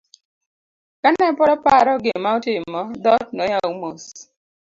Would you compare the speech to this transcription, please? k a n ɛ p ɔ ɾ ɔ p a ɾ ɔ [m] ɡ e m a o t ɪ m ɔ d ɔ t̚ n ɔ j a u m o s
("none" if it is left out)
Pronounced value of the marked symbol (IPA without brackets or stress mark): none